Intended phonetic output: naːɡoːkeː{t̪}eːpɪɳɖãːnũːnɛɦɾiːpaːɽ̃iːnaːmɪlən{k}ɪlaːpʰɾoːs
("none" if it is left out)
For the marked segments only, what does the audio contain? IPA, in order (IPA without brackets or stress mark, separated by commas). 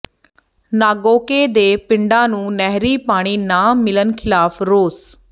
d̪, kʰ